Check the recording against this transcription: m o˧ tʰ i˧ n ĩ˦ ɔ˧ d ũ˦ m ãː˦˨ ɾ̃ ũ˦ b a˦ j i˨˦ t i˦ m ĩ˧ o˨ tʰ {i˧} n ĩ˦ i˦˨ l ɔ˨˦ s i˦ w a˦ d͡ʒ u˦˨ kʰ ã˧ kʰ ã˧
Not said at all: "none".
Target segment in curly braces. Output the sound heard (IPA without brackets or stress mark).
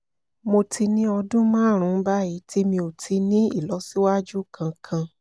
i˧